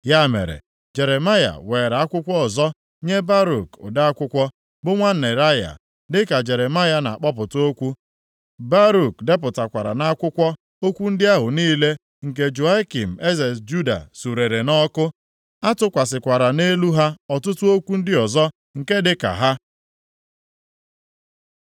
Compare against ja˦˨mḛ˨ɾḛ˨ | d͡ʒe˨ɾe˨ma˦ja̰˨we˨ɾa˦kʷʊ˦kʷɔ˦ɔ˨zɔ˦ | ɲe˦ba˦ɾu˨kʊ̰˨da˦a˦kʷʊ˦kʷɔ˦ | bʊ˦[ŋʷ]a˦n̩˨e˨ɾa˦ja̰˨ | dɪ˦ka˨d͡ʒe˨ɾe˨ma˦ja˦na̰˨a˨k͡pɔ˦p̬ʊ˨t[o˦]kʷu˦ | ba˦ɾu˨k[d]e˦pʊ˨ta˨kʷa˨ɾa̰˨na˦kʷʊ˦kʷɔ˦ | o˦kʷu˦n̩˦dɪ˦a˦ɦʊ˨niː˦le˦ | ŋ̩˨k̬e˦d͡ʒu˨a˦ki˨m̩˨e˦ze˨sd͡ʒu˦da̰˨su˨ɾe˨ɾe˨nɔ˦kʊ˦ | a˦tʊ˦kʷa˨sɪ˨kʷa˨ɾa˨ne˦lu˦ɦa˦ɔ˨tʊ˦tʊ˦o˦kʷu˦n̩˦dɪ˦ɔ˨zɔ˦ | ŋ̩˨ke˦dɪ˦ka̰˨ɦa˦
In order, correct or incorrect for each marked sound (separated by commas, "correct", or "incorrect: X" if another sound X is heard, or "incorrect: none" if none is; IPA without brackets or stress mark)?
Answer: correct, correct, correct